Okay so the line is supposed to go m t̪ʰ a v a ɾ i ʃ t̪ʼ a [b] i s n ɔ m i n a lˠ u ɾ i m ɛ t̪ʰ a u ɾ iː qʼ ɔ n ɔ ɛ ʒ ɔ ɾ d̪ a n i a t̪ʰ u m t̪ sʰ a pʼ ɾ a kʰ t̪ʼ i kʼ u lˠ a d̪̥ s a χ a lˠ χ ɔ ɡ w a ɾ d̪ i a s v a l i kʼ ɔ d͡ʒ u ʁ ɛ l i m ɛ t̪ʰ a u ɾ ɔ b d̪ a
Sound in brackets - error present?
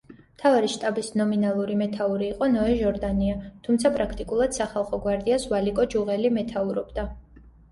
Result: no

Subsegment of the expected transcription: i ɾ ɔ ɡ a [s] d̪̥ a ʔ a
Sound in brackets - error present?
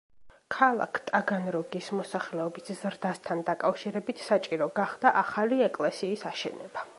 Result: yes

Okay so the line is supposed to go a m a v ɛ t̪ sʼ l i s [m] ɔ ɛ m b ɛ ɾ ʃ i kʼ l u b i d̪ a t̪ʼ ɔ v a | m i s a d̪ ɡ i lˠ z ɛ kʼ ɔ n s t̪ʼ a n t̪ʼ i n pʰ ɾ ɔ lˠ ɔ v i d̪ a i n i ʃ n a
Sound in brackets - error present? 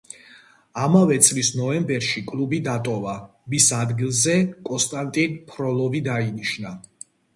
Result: yes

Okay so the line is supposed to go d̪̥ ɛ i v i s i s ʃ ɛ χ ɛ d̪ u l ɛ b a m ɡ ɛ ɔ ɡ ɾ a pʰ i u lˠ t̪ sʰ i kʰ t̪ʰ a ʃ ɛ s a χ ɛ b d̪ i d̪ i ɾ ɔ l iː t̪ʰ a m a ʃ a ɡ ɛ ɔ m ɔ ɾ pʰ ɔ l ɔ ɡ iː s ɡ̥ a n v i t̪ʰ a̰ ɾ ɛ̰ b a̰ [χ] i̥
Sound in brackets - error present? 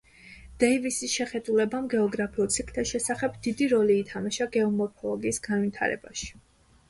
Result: yes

